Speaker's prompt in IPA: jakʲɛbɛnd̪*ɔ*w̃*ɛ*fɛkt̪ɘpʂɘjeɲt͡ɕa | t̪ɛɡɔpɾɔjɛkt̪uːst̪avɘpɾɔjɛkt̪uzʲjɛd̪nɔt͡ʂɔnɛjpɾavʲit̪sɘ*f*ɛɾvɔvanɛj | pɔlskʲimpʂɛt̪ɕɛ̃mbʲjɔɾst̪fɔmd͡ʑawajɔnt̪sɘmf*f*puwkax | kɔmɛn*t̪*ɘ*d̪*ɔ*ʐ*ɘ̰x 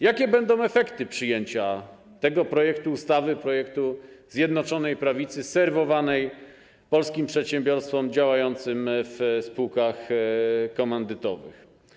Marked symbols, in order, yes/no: no, yes, no, no, no, no, no

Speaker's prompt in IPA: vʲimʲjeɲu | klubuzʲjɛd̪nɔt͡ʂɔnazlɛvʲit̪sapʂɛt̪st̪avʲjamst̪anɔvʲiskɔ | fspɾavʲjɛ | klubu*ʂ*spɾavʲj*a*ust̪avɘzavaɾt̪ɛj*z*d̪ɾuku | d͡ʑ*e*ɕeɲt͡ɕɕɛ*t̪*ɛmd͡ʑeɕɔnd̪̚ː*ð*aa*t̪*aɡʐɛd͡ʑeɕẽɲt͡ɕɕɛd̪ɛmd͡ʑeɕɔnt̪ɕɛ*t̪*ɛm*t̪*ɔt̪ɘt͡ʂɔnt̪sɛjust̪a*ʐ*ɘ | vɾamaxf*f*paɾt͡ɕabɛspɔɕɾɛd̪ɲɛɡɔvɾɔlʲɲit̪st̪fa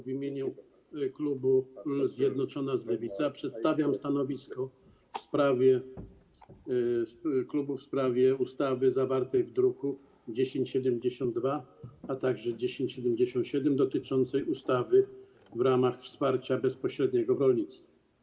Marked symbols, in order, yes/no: no, no, no, yes, no, no, yes, no, no, no, no

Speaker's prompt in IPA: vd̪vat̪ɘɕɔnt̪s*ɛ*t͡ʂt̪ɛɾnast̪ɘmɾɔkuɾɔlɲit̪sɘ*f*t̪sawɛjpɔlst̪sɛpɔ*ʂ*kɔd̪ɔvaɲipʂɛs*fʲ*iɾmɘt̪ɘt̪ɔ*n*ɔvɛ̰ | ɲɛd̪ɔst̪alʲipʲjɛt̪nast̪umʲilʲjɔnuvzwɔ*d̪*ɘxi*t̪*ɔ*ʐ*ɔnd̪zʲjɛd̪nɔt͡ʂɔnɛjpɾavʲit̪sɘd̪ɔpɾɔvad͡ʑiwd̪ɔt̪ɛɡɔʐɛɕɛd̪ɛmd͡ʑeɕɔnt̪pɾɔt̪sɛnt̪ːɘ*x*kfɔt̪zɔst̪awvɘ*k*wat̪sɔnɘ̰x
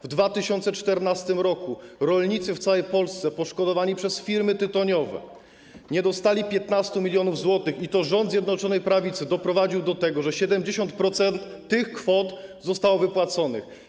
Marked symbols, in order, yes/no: yes, yes, yes, yes, no, no, yes, yes, yes, no

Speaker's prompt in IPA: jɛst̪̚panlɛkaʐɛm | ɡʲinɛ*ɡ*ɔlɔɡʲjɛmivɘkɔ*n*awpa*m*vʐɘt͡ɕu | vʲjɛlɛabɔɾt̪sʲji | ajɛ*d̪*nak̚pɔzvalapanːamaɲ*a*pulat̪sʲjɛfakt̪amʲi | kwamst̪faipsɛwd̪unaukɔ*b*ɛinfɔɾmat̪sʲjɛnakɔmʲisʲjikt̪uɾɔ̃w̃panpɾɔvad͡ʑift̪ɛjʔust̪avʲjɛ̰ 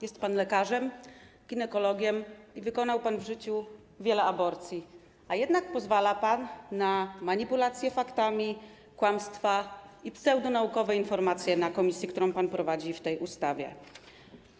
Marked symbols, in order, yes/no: no, yes, no, yes, no, no

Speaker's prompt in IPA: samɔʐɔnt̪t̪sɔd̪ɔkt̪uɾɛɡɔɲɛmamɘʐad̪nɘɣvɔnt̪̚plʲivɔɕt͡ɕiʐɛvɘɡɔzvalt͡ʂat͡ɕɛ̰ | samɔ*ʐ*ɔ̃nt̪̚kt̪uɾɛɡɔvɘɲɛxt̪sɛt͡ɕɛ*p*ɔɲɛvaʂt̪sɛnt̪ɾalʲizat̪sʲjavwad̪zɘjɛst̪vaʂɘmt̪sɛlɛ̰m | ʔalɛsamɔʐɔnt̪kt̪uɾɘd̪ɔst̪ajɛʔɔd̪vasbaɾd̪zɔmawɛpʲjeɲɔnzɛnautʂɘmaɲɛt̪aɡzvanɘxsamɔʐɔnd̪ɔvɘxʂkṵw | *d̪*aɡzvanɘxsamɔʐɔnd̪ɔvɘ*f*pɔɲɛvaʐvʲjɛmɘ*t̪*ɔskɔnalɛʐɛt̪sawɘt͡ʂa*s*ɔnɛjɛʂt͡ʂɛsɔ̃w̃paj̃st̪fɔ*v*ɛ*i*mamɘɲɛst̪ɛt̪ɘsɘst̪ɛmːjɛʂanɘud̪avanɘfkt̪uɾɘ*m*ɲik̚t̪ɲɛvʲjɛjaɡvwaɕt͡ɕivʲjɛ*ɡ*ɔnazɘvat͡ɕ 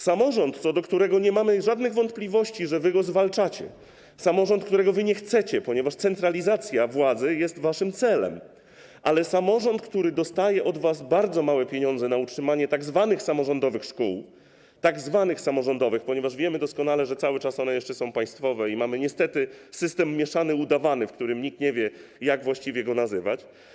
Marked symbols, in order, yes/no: yes, yes, no, no, no, yes, yes, yes, yes, yes

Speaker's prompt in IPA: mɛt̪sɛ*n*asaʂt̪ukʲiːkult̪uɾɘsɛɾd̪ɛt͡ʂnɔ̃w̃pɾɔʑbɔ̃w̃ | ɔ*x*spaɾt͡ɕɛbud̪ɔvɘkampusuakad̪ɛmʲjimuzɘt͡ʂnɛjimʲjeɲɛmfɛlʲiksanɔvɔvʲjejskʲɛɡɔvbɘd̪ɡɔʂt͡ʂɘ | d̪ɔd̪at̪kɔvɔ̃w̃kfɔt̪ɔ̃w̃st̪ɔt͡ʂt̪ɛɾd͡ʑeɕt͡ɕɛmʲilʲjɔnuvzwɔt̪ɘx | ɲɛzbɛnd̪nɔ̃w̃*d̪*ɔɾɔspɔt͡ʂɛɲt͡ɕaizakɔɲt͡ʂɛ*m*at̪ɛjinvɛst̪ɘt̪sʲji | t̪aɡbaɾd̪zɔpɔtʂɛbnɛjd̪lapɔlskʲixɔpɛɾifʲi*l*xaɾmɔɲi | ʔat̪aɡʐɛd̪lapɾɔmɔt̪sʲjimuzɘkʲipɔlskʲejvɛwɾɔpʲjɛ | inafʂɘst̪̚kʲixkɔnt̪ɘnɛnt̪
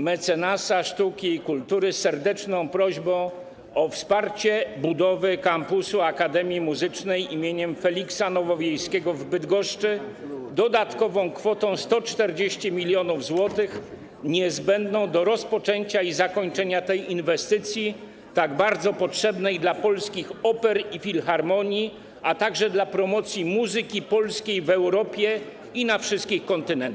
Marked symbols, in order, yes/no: yes, no, yes, no, yes

